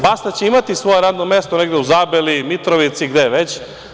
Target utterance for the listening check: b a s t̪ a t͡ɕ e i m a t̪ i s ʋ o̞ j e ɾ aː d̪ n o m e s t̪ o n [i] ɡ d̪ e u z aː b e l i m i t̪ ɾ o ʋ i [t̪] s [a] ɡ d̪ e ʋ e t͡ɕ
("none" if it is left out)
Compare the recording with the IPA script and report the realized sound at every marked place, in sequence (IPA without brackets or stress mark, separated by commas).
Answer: e, t̪, i